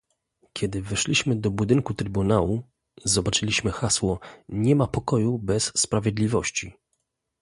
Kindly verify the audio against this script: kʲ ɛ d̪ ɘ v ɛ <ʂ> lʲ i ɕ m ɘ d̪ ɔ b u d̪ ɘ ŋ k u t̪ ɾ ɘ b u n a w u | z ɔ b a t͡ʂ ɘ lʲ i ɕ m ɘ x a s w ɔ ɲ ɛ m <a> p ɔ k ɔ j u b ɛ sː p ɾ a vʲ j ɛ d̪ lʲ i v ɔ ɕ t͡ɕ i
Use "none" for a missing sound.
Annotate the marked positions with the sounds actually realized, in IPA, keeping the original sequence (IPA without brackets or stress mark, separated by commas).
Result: ʂ, a